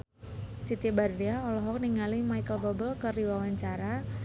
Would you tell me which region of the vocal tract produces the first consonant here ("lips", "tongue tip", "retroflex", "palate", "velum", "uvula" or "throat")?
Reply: tongue tip